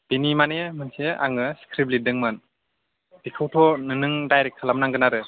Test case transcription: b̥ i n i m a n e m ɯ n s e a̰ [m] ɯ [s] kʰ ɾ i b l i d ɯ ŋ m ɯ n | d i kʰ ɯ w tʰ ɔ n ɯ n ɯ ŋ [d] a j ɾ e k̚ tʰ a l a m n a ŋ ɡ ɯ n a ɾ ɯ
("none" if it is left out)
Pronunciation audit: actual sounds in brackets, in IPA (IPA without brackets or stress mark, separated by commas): ŋ, s, d